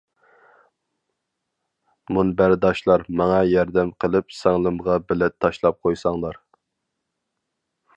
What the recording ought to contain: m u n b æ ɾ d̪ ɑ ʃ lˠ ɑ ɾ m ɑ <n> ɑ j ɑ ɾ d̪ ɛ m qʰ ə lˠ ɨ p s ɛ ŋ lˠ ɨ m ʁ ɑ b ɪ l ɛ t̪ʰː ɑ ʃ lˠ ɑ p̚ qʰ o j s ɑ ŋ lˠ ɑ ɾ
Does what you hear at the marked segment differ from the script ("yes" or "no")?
yes